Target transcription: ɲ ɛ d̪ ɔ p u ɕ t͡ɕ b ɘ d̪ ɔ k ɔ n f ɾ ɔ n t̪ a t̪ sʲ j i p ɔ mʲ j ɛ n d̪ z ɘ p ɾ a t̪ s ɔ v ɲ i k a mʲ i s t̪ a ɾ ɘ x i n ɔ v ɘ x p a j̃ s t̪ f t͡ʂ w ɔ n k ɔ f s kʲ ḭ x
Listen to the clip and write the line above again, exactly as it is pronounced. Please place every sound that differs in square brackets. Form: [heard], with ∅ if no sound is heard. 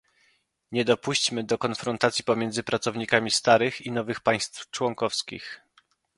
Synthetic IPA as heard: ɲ ɛ d̪ ɔ p u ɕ t͡ɕ [m] ɘ d̪ ɔ k ɔ n f ɾ ɔ n t̪ a t̪ sʲ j i p ɔ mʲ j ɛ n d̪ z ɘ p ɾ a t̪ s ɔ v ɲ i k a mʲ i s t̪ a ɾ ɘ x i n ɔ v ɘ x p a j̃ s t̪ f t͡ʂ w ɔ [ŋ] k ɔ f s kʲ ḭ x